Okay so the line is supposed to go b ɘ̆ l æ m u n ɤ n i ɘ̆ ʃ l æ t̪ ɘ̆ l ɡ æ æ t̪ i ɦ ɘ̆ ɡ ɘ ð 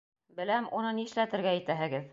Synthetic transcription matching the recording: b ɘ̆ l æ m u n ɤ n i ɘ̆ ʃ l æ t̪ ɘ̆ ɾ ɡ æ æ t̪ æ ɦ ɘ̆ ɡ ɘ ð